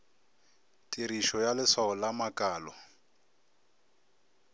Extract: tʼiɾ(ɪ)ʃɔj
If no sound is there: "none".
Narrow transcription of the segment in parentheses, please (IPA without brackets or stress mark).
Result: i